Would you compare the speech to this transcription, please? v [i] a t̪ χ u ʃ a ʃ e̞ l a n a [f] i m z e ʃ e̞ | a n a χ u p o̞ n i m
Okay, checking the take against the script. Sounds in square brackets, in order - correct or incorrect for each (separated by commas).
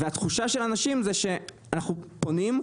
incorrect, incorrect